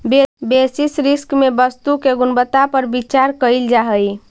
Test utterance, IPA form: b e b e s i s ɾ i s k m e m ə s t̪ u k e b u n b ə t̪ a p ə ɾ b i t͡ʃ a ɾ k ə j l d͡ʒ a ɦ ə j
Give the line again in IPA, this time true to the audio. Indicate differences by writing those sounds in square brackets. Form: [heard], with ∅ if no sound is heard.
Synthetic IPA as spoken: b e b e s i s ɾ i s k m e [b] ə s t̪ u k e [ɡ] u n b ə t̪ a p ə ɾ b i t͡ʃ a ɾ k ə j l d͡ʒ a ɦ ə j